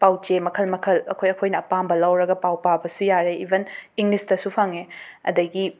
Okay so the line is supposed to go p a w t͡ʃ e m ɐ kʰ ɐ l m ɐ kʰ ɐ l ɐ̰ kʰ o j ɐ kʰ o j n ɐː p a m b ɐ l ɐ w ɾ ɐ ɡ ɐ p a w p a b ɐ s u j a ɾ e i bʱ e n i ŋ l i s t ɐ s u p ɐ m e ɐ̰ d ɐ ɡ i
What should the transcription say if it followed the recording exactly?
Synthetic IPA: p a w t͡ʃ e m ɐ kʰ ɐ l m ɐ kʰ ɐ l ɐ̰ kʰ o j ɐ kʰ o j n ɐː p a m b ɐ l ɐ w ɾ ɐ ɡ ɐ p a w p a b ɐ s u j a ɾ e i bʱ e n i ŋ l i s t ɐ s u pʰ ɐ ŋ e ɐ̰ d ɐ ɡ i

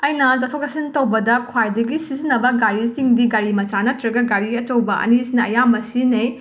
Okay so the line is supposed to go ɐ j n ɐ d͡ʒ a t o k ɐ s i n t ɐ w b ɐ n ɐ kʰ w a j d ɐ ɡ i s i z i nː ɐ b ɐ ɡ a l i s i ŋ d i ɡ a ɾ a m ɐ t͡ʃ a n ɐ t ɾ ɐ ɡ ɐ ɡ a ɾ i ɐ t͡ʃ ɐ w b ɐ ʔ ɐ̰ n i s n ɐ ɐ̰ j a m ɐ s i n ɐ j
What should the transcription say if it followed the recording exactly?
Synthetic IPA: ɐ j n ɐ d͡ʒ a tʰ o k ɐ s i n t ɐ w b ɐ d ɐ kʰ w a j d ɐ ɡ i s i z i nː ɐ b ɐ ɡ a ɾ i s i ŋ d i ɡ a ɾ i m ɐ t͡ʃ a n ɐ t ɾ ɐ ɡ ɐ ɡ a ɾ i ɐ t͡ʃ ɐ w b ɐ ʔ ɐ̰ n i s n ɐ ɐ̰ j a m ɐ s i n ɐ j

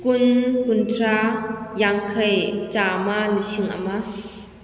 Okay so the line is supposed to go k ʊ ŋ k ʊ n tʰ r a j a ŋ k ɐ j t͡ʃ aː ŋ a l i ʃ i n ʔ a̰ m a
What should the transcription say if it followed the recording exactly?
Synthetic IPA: k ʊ n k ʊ n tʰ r a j a ŋ kʰ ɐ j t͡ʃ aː m a l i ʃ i ŋ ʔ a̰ m a

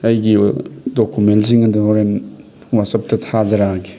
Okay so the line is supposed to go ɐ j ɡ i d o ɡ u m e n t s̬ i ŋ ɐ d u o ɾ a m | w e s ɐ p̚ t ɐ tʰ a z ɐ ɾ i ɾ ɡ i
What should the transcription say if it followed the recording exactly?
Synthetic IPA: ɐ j ɡ i d o k u m e n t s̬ i ŋ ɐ d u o ɾ e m | w a s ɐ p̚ t ɐ tʰ a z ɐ ɾ a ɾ ɡ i

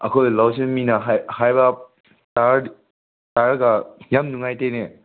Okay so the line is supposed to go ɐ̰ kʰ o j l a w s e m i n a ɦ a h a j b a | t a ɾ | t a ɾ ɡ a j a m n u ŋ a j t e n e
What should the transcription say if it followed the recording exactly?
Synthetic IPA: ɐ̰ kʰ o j l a w s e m i n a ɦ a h a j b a | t a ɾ | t a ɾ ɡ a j a m n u ŋ a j t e n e

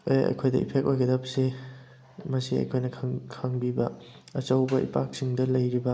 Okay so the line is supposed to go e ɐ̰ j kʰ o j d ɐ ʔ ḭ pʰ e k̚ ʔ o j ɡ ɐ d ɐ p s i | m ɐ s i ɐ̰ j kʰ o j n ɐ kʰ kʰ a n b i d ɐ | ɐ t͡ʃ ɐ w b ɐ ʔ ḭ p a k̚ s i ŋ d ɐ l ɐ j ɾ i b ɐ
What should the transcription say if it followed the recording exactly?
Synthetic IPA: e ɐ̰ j kʰ o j d ɐ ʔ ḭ pʰ e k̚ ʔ o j ɡ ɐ d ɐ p s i | m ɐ s i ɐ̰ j kʰ o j n ɐ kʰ kʰ a ŋ b i b ɐ | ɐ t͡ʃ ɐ w b ɐ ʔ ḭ p a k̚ s i ŋ d ɐ l ɐ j ɾ i b ɐ

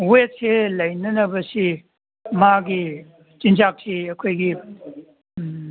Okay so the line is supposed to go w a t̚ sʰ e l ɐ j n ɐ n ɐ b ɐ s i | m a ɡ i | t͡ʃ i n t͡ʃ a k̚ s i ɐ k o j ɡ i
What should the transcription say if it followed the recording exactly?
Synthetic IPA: w e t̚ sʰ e l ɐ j n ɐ n ɐ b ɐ s i | m a ɡ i | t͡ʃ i n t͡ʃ a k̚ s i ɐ kʰ o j ɡ i

